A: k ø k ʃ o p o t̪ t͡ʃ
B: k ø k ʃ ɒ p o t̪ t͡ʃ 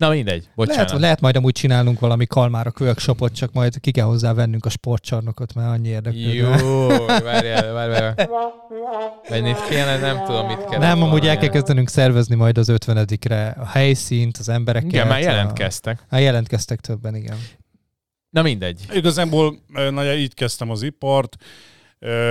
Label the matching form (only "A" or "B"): A